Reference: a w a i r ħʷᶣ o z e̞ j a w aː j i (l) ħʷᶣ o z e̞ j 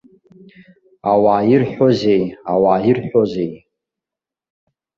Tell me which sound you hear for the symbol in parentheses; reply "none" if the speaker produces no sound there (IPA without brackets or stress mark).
r